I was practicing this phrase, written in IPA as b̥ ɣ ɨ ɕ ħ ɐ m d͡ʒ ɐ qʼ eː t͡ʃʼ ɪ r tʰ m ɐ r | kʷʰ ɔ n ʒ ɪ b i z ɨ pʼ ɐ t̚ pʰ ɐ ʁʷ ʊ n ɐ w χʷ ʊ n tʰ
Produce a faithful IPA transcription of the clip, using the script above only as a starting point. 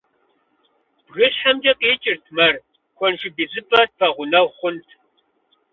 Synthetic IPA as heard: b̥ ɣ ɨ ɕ ħ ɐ m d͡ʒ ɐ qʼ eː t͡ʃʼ ɪ r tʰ m ɐ r | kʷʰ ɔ n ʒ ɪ b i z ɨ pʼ ɐ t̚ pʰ ɐ ʁʷ ʊ n ɐ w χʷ ʊ n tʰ